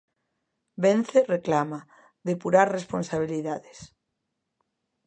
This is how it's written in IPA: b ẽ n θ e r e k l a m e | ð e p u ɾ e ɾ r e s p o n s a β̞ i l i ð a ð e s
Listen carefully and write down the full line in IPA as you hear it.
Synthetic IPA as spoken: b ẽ n θ e r e k l a m a | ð e p u ɾ a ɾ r e s p o n s a β̞ i l i ð a ð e s